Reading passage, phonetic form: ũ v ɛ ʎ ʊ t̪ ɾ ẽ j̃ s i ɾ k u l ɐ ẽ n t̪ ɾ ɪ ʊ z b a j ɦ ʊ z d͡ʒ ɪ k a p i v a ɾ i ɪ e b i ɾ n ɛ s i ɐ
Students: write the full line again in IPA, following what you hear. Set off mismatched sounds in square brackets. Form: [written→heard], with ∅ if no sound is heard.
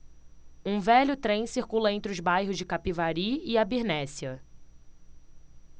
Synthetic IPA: ũ v ɛ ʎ ʊ t̪ ɾ ẽ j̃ s i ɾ k u l ɐ ẽ n t̪ ɾ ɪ ʊ z b a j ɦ ʊ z d͡ʒ ɪ k a p i v a ɾ i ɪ [e→a] b i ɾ n ɛ s i ɐ